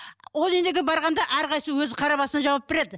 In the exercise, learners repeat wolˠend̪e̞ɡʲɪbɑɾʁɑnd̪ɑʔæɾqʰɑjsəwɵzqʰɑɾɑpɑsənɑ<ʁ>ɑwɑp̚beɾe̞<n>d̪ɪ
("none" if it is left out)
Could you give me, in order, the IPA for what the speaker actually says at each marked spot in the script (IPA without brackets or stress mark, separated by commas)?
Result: ʒ, none